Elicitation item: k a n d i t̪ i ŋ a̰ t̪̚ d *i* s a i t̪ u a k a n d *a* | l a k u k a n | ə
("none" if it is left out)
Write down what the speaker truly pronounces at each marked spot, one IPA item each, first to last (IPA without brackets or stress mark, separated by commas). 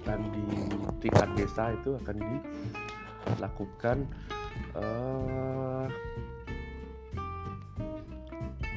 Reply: e, i